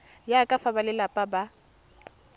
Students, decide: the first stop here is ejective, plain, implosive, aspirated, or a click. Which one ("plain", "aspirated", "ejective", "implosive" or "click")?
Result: ejective